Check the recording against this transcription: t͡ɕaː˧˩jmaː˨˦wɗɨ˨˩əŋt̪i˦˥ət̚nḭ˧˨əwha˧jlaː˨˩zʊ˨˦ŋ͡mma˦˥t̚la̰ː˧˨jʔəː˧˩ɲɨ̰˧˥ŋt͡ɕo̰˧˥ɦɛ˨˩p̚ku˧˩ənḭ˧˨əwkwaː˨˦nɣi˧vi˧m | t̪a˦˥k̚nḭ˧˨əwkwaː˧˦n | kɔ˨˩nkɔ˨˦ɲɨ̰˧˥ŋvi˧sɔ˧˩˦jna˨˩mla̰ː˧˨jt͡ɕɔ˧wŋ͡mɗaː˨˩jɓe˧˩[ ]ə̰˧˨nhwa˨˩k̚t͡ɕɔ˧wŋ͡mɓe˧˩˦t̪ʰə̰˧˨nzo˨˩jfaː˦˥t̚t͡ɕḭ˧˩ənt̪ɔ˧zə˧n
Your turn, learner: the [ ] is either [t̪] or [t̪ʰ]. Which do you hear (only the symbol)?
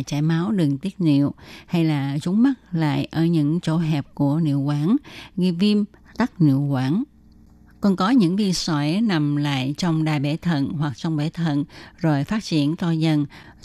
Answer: t̪ʰ